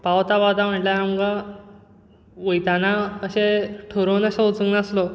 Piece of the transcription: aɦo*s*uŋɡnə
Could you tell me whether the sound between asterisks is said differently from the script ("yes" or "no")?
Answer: yes